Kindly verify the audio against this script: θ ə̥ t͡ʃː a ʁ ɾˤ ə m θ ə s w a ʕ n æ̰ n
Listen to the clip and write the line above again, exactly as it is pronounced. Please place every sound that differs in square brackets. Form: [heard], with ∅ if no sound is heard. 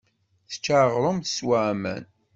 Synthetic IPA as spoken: θ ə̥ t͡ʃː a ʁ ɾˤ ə m θ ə s w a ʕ [m] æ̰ n